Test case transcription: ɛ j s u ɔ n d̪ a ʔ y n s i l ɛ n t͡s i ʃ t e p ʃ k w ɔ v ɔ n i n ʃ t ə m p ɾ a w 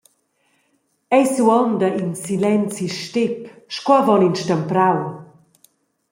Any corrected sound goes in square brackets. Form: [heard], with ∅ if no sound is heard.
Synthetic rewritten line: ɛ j s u ɔ n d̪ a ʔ [i] n s i l ɛ n t͡s i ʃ t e p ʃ k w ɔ v ɔ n i n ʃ t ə m p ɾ a w